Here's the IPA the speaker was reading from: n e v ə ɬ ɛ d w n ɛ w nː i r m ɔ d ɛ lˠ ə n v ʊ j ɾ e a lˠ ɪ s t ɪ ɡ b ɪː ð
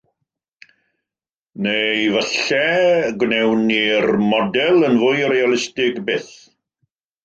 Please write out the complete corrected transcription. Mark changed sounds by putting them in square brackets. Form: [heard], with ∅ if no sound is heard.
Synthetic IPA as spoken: n e v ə ɬ ɛ [ɡ] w n ɛ w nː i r m ɔ d ɛ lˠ ə n v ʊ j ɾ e a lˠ ɪ s t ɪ ɡ b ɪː [θ]